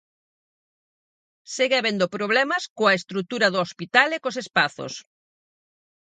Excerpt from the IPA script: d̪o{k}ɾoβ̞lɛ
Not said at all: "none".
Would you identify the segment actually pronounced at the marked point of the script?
p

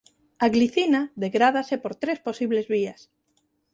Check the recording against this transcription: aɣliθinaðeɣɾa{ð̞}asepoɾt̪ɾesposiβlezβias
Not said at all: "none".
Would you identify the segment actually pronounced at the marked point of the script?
ð̞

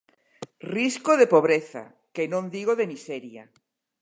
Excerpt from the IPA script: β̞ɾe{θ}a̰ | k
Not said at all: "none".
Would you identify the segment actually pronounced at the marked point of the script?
θ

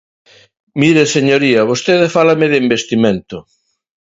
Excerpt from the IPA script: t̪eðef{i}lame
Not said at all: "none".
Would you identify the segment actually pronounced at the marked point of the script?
a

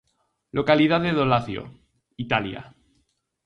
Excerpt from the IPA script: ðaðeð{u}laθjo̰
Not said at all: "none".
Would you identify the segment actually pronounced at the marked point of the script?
o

